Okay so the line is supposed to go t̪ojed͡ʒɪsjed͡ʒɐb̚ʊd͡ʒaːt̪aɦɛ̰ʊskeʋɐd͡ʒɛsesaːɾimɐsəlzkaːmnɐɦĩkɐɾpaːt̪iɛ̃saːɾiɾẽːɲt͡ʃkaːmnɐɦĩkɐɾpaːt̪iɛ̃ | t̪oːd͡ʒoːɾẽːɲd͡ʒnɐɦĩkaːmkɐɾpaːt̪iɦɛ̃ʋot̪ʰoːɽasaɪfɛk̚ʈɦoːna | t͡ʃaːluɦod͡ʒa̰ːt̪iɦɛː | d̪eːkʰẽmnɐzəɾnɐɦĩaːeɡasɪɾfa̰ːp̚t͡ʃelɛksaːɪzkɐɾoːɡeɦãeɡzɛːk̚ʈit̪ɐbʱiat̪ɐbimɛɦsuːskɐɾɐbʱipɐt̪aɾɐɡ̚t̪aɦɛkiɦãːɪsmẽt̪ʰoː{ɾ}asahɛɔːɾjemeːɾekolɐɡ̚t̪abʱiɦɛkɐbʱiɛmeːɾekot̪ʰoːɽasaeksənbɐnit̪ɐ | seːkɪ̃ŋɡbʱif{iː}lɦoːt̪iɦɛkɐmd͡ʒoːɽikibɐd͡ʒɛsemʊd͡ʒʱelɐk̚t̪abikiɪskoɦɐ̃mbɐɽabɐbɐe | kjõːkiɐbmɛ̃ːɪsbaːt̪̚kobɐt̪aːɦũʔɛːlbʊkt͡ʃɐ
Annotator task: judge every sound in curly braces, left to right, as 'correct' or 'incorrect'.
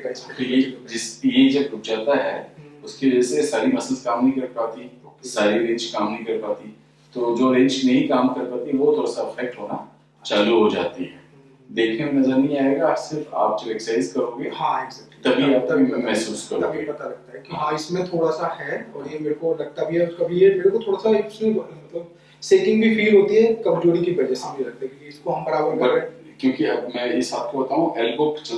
incorrect, correct

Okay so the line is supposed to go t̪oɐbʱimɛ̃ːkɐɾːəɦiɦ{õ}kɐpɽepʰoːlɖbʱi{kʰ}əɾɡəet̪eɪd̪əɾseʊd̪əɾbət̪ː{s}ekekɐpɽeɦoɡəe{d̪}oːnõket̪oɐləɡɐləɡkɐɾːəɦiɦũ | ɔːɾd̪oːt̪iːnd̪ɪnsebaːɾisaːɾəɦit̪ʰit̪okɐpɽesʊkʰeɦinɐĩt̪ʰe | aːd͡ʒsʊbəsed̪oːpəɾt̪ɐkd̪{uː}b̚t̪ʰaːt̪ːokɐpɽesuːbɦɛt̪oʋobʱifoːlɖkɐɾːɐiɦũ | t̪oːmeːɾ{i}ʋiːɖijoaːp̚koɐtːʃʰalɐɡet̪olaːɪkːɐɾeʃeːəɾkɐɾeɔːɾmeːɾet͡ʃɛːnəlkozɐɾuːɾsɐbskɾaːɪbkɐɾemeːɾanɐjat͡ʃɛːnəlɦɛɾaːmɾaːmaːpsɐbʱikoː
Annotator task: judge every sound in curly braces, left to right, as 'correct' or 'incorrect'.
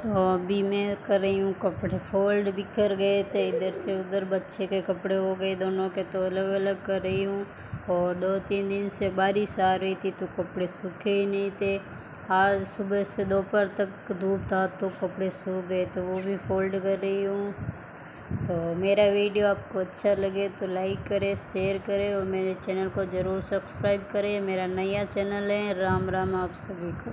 incorrect, incorrect, incorrect, correct, correct, incorrect

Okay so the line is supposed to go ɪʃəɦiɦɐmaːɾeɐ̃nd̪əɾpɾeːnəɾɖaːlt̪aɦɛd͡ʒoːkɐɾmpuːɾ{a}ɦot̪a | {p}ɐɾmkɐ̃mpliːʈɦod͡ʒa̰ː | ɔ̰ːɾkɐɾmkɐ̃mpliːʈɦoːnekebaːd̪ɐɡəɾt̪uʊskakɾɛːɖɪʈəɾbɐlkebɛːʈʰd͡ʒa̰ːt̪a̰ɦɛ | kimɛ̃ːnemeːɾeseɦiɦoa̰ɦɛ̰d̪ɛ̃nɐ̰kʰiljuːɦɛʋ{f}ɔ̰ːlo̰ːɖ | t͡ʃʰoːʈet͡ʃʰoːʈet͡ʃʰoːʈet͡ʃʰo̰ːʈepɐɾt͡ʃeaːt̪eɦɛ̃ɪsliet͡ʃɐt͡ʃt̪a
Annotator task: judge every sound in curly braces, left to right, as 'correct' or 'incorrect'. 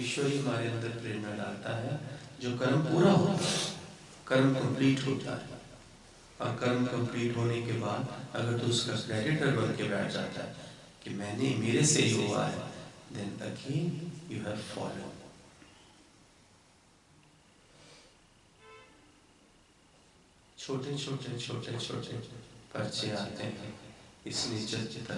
correct, incorrect, correct

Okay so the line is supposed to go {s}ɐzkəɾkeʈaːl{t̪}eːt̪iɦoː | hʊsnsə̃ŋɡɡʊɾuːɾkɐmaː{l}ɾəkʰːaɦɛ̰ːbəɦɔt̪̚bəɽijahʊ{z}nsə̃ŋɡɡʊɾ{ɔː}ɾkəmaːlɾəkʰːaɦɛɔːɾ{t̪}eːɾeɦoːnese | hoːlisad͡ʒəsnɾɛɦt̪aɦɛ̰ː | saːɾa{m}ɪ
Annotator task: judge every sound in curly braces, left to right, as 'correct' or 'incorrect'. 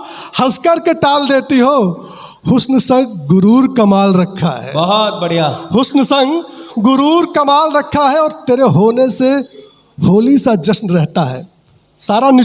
incorrect, incorrect, correct, incorrect, incorrect, correct, incorrect

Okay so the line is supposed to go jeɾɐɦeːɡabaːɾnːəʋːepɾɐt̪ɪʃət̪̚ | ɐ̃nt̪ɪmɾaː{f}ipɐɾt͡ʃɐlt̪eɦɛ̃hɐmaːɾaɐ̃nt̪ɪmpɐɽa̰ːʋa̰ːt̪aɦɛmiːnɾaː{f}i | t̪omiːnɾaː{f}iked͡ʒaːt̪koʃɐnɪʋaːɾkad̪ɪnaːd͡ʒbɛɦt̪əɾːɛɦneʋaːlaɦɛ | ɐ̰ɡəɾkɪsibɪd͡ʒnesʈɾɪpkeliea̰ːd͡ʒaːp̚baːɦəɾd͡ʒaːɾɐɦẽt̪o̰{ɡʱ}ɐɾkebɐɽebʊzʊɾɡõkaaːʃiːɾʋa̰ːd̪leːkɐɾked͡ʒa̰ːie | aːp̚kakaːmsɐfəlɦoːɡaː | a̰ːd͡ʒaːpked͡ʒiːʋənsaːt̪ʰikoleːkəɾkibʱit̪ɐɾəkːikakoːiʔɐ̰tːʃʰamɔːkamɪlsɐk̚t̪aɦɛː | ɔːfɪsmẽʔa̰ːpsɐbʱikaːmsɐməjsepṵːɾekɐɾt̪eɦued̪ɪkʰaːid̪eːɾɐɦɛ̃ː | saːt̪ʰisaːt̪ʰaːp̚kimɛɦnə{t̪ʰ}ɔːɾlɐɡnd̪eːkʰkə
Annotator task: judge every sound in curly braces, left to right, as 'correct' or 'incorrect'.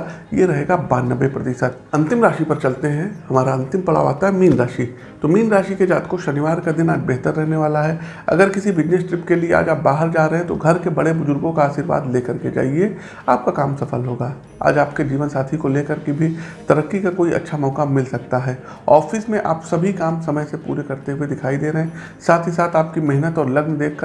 incorrect, incorrect, incorrect, correct, incorrect

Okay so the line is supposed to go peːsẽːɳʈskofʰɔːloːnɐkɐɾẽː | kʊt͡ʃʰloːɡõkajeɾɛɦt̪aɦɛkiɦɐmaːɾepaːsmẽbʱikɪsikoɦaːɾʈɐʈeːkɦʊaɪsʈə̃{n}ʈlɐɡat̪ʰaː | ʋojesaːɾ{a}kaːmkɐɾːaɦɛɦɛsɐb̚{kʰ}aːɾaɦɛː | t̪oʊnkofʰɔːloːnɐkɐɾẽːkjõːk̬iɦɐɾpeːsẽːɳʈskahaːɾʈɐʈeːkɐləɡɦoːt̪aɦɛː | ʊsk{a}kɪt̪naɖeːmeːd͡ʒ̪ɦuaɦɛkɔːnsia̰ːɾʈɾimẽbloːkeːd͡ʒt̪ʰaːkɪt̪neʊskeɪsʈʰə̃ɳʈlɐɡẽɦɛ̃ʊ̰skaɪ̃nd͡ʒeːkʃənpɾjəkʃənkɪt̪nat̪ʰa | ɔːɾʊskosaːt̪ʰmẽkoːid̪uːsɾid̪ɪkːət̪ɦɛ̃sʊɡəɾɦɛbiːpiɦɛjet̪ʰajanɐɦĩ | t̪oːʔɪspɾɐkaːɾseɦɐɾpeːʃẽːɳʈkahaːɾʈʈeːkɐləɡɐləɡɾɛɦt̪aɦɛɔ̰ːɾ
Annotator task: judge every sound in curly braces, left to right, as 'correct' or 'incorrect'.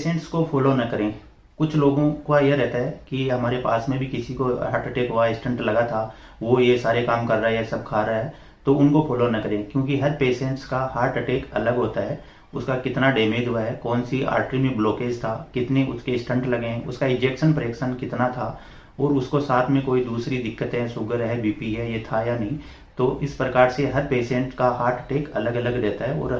incorrect, incorrect, correct, correct

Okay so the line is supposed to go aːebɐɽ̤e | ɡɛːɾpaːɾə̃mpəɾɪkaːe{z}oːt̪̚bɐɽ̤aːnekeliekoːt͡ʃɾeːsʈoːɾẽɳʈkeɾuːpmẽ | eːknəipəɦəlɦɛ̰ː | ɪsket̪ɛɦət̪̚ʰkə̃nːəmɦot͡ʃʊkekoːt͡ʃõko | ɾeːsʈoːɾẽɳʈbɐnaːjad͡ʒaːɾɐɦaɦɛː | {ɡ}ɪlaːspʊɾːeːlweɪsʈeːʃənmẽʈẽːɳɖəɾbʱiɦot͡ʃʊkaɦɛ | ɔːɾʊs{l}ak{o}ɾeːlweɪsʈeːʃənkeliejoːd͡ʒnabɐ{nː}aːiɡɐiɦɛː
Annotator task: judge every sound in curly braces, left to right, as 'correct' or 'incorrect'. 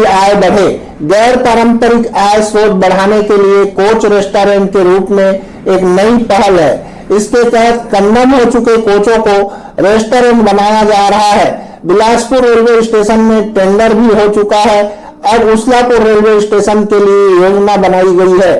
incorrect, incorrect, correct, correct, incorrect

